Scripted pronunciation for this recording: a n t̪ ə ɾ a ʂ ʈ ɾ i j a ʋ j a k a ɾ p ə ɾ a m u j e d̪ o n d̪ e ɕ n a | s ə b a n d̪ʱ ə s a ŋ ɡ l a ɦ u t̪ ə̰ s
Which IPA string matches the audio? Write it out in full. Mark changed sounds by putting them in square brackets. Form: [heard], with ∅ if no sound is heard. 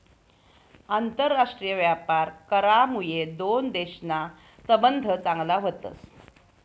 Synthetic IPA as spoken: a n t̪ ə [ɾː] a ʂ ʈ ɾ i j [ə] ʋ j a [p] a ɾ [k] ə ɾ a m u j e d̪ o n d̪ e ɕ n a | s ə b [ə] n d̪ʱ ə [t͡s] a ŋ ɡ l a ɦ [o] t̪ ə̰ s